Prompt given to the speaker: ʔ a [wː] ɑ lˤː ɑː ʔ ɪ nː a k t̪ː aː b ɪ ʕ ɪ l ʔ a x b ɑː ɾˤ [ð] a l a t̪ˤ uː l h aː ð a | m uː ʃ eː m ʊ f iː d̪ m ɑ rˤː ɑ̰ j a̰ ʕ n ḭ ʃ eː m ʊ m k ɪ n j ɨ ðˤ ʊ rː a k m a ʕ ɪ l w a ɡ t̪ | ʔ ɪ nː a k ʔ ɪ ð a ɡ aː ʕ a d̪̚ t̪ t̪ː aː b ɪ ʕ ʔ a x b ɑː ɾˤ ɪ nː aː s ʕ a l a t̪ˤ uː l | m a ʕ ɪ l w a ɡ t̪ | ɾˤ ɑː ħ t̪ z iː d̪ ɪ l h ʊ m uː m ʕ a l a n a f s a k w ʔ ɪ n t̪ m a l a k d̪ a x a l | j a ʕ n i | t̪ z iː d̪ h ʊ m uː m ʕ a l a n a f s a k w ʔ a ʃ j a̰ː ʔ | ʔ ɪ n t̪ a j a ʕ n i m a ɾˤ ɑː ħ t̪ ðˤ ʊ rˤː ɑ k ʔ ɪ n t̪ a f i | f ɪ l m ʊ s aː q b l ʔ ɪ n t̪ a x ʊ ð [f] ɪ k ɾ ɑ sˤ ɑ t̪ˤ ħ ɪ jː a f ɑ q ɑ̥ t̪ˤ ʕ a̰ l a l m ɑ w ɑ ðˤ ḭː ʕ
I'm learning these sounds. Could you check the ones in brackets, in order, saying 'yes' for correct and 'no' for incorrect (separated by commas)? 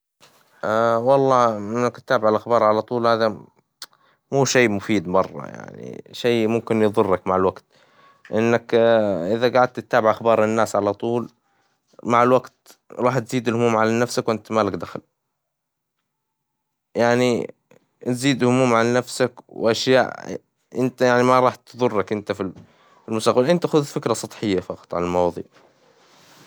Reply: no, no, yes